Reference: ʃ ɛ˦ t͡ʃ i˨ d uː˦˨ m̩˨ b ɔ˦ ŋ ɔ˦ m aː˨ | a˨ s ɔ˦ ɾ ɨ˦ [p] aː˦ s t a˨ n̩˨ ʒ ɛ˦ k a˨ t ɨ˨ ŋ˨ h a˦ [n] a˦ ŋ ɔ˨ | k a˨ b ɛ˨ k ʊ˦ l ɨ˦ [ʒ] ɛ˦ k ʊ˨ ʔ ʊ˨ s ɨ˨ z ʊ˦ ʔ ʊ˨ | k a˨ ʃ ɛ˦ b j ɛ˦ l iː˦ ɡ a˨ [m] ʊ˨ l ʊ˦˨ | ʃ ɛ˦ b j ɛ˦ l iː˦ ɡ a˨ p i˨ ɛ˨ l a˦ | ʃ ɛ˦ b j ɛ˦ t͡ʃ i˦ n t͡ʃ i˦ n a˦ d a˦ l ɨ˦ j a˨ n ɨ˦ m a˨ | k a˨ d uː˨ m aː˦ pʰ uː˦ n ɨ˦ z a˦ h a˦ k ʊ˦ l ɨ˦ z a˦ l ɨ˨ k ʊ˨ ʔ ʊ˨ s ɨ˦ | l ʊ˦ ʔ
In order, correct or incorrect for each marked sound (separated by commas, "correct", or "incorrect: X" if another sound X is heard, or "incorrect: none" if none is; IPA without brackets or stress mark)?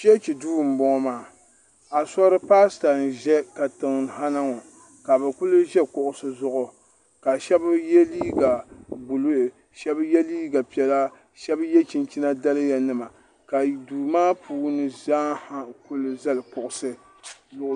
correct, correct, correct, incorrect: b